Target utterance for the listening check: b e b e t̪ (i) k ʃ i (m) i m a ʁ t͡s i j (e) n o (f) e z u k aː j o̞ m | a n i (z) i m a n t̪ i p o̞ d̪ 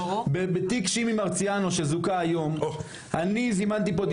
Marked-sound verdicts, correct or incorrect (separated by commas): correct, correct, incorrect, incorrect, correct